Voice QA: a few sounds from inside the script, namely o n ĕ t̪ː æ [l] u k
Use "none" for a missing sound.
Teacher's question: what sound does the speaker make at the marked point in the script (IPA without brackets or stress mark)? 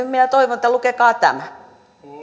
l